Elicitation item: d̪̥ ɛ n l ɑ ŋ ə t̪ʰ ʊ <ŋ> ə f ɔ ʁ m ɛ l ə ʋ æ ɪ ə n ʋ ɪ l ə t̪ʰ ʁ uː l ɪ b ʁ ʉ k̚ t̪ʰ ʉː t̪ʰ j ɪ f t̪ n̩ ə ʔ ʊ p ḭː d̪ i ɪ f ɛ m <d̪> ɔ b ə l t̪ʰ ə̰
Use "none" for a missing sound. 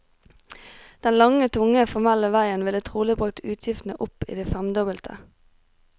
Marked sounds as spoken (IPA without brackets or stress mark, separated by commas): ŋ, d̪